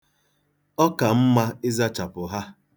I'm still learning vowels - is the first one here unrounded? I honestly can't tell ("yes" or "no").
no